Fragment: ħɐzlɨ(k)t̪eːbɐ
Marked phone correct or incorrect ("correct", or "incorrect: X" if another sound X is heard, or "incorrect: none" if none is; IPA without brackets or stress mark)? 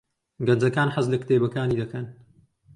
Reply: correct